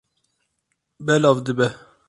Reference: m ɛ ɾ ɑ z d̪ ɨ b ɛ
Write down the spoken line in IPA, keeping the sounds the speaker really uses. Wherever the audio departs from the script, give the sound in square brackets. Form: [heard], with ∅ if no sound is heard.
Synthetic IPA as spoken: [b] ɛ [l] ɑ [v] d̪ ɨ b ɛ